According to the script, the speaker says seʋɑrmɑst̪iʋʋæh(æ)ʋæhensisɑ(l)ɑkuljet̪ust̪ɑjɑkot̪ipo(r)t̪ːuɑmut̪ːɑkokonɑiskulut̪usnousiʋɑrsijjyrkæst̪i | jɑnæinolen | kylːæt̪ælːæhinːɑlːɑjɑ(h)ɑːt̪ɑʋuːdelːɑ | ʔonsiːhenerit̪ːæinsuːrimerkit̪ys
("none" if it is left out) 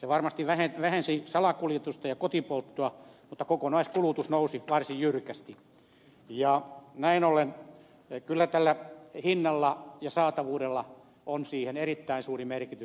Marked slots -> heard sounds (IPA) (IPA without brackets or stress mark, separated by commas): e, l, l, s